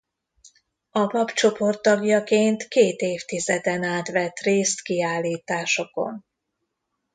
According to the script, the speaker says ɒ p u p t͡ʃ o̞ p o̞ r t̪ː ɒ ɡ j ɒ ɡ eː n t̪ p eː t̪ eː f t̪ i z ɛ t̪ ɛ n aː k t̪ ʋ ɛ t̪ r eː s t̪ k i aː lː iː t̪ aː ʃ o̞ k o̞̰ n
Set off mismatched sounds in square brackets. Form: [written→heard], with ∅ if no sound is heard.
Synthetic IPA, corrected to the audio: ɒ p [u→ɒ] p t͡ʃ o̞ p o̞ r t̪ː ɒ ɡ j ɒ [ɡ→k] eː n t̪ [p→k] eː t̪ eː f t̪ i z ɛ [t̪→d̪] ɛ n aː [k→∅] t̪ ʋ ɛ t̪ r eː s t̪ k i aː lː iː t̪ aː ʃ o̞ k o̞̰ n